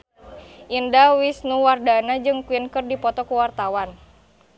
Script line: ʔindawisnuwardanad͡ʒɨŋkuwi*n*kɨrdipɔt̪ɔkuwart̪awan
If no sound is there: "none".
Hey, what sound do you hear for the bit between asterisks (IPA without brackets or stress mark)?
n